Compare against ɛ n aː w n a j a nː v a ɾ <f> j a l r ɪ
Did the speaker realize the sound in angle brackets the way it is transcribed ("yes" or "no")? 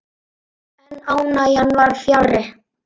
yes